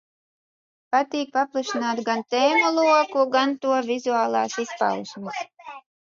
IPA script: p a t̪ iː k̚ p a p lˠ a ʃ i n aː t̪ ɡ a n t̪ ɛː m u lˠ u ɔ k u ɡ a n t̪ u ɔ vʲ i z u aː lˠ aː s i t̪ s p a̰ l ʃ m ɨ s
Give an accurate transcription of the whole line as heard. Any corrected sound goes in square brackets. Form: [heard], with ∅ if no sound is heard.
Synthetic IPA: p a t̪ iː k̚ p a p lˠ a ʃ i n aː t̪ ɡ a n t̪ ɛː m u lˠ u ɔ k u ɡ a n t̪ u ɔ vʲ i z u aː lˠ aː s i [∅] s p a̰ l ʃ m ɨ s